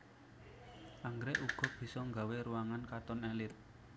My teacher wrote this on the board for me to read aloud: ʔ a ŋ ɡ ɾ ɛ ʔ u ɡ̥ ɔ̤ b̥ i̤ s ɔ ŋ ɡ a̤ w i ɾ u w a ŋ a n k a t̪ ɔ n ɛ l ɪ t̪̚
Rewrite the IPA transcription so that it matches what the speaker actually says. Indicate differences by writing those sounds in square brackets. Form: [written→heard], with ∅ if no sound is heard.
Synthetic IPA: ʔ a ŋ ɡ ɾ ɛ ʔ u ɡ̥ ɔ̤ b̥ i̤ s ɔ ŋ ɡ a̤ w [i→e] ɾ u w a ŋ a n k a t̪ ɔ n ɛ l ɪ t̪̚